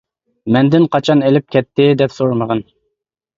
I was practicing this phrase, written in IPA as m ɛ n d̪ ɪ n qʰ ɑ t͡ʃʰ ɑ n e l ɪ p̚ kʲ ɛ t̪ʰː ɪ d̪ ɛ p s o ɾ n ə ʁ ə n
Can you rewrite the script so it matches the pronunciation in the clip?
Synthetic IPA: m ɛ n d̪ ɪ n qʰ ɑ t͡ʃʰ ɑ n e l ɪ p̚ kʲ ɛ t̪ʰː ɪ d̪ ɛ p s o ɾ m ə ʁ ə n